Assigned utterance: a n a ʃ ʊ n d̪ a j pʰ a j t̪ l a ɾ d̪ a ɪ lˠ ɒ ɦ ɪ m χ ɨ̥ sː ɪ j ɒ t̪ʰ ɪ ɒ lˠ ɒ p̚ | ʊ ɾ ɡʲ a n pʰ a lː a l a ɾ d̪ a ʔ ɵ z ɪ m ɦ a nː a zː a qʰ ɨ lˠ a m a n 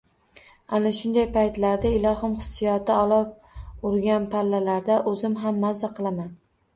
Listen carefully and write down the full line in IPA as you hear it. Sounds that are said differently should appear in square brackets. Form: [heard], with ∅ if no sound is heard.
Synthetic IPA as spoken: a n a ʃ ʊ n d̪ a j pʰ a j t̪ l a ɾ d̪ a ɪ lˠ ɒ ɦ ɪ m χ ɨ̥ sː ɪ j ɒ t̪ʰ ɪ ɒ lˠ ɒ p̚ | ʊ ɾ ɡʲ a n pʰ a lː a l a ɾ d̪ a ʔ ɵ z ɪ m ɦ a [mː] a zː a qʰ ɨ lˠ a m a n